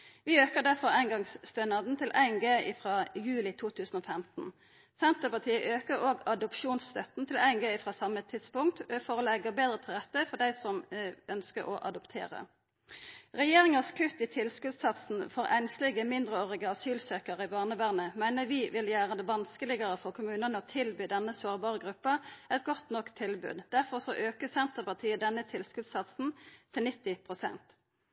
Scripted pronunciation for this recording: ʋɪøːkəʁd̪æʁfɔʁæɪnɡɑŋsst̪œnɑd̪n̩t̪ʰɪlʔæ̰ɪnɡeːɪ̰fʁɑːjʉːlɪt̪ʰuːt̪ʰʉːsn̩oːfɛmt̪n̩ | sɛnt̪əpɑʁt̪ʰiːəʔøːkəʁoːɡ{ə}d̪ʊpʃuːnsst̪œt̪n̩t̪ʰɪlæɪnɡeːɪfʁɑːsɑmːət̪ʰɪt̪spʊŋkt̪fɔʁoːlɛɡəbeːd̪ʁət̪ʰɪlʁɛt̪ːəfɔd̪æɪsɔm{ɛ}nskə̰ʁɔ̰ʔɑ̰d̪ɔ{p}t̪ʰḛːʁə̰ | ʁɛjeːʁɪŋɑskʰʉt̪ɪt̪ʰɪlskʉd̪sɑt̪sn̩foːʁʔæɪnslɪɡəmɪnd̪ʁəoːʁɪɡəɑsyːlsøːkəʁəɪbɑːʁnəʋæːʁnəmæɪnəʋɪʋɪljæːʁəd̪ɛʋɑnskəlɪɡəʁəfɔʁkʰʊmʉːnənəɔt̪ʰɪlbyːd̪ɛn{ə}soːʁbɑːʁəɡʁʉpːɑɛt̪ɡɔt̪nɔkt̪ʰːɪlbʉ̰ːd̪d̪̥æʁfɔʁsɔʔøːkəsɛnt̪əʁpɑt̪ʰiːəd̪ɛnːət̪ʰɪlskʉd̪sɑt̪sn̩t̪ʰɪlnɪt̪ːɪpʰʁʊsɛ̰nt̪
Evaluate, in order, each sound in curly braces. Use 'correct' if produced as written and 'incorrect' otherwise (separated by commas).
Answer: incorrect, incorrect, correct, correct